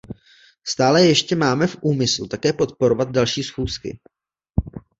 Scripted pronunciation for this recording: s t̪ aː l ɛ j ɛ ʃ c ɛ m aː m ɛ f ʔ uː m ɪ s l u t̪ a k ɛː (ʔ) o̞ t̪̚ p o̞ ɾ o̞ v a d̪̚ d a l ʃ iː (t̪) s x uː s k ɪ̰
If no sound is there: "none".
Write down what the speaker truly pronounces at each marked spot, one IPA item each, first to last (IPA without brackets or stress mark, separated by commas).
p, none